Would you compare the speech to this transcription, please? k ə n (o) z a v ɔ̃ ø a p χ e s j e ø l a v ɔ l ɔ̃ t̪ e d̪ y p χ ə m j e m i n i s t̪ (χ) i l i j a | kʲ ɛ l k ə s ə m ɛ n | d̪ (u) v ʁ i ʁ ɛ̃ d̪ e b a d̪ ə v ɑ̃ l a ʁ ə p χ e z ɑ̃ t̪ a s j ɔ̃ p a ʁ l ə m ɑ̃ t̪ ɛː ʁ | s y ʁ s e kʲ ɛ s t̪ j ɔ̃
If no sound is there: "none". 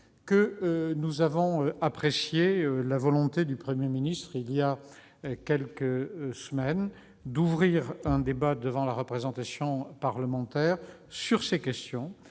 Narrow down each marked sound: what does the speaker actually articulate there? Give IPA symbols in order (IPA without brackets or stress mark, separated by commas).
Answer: u, χ, u